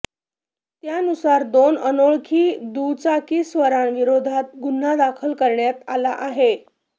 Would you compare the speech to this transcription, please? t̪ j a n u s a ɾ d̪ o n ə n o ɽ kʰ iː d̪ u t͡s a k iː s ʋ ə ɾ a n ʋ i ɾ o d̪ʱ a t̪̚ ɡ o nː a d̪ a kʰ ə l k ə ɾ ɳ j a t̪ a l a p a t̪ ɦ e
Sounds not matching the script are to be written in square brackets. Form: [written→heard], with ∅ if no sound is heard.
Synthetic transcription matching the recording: t̪ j a n u s a ɾ d̪ o n ə n o [ɽ→ɭ] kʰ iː d̪ u t͡s a k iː s ʋ ə ɾ a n ʋ i ɾ o d̪ʱ a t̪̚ ɡ [o→u] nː a d̪ a kʰ ə l k ə ɾ ɳ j a t̪ a l a [p→ʔ] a [t̪→∅] ɦ e